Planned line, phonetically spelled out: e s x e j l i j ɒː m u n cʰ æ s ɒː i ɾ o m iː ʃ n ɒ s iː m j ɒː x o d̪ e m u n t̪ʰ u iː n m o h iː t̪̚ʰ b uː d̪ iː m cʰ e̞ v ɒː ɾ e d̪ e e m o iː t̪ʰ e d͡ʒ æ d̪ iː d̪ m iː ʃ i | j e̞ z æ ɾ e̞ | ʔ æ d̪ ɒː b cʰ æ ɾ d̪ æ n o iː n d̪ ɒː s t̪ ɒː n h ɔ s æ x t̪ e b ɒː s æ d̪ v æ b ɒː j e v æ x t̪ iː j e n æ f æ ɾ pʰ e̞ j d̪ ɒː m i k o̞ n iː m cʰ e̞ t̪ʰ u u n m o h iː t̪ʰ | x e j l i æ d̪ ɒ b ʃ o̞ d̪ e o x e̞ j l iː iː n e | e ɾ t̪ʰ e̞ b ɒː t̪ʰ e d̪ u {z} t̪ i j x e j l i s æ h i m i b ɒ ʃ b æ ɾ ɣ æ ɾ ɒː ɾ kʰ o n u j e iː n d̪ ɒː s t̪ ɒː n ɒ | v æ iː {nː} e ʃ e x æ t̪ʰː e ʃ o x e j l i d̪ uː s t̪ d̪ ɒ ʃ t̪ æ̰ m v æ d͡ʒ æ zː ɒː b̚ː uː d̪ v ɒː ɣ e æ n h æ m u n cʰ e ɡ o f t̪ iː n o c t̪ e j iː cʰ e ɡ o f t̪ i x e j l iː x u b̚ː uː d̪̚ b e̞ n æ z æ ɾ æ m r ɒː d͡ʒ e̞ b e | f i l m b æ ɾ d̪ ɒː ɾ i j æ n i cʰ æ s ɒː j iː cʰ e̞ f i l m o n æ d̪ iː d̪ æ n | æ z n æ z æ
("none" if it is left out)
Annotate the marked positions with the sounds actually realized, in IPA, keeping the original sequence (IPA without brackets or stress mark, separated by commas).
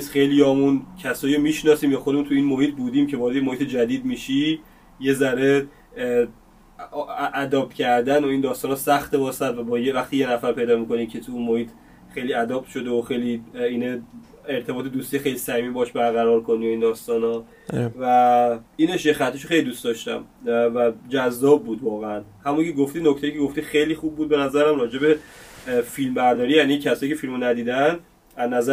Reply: s, n